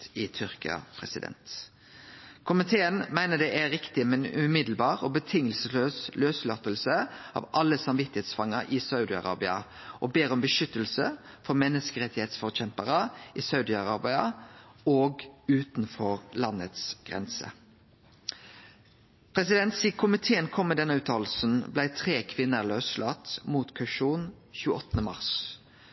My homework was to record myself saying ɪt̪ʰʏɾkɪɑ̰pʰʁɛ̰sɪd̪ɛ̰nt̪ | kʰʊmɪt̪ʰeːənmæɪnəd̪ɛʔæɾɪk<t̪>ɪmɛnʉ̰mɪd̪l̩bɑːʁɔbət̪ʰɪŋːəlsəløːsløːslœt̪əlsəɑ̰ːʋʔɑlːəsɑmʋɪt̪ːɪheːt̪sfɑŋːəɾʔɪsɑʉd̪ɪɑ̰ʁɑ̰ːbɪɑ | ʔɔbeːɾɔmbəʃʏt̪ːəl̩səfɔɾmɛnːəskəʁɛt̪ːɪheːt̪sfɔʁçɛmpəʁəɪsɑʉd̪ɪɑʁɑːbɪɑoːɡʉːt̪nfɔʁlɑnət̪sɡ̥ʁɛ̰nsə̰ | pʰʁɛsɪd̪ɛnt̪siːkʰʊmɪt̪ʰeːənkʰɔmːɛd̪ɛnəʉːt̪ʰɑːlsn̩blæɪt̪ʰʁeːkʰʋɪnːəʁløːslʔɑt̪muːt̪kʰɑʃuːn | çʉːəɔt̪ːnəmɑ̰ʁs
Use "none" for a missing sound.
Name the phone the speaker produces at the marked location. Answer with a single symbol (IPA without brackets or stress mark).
t̪